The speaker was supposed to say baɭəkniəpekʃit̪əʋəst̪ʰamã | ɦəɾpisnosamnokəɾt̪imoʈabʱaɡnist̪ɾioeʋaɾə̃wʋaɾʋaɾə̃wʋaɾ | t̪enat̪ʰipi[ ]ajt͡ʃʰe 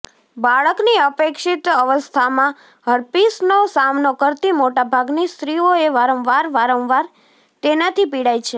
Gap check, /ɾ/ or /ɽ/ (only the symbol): ɽ